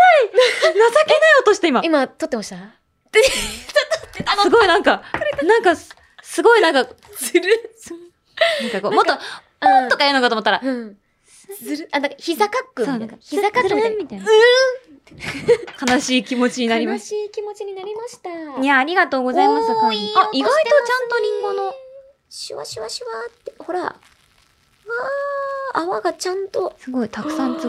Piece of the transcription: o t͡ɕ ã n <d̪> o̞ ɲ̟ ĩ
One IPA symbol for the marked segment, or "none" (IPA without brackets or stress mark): t̪